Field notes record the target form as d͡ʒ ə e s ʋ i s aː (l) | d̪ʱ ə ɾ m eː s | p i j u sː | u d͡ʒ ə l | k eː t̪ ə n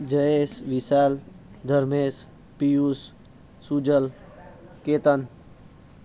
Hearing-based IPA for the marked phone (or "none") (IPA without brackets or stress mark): l